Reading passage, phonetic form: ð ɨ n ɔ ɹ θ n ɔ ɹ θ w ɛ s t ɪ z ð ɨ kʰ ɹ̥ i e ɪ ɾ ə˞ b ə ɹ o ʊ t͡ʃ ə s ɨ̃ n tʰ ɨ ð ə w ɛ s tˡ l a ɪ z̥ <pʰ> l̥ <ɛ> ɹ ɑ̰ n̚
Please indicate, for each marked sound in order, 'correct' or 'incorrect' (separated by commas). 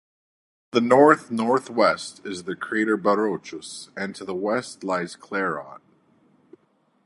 incorrect, correct